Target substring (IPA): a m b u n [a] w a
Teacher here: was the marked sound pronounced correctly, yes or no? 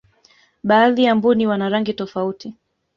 no